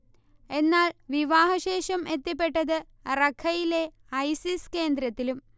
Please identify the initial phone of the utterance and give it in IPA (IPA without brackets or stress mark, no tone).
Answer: e̞